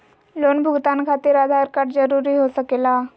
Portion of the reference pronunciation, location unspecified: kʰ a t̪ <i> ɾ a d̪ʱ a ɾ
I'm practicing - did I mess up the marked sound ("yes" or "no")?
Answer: yes